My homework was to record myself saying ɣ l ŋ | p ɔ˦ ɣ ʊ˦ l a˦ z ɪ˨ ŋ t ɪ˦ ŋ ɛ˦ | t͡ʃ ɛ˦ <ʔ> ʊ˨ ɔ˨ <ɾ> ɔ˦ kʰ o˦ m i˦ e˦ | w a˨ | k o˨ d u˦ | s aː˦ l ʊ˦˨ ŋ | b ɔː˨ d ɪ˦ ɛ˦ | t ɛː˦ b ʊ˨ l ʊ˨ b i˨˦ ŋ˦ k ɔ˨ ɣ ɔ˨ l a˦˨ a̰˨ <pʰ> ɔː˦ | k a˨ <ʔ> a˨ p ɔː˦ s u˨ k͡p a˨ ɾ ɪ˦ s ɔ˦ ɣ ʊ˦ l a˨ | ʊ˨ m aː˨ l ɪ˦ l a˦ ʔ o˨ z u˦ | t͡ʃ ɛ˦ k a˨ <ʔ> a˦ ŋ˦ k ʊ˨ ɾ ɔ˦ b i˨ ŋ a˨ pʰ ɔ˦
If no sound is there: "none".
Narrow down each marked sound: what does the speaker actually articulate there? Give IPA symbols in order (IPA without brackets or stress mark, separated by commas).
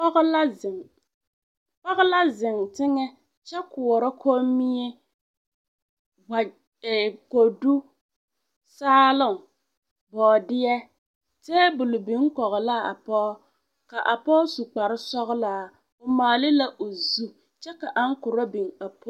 k, ɾ, p, ʔ, ʔ